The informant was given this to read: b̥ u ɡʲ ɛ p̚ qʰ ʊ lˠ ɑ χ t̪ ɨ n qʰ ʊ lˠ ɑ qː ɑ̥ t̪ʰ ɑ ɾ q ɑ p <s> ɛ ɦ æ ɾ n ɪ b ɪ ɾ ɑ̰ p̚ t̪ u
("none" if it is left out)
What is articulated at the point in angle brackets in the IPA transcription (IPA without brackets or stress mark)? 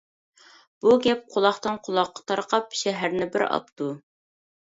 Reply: ʃ